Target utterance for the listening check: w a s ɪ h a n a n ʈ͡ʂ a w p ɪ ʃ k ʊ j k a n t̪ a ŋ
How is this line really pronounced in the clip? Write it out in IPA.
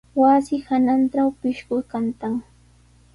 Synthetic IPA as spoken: w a s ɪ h a n a n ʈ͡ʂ a w p ɪ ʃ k ʊ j k a n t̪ a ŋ